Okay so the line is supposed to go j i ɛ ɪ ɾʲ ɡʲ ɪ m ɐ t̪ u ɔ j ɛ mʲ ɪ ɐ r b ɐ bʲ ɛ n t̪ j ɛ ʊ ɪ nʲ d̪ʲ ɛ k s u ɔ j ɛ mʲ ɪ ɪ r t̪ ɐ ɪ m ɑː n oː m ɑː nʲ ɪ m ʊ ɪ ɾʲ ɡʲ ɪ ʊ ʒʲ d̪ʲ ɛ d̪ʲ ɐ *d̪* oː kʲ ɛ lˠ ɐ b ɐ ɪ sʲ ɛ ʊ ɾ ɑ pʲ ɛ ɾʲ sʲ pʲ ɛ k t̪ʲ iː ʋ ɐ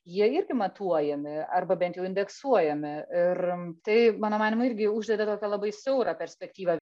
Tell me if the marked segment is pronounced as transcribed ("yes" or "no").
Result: no